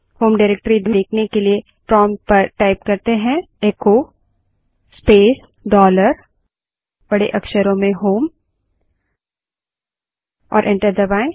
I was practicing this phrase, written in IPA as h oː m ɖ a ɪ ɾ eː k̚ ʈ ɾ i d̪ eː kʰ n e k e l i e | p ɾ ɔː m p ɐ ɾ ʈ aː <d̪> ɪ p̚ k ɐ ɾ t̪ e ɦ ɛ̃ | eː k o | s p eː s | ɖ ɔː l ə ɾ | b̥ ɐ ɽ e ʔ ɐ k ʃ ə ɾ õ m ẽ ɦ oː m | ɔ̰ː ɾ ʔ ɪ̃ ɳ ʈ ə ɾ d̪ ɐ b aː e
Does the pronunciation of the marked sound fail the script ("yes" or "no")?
yes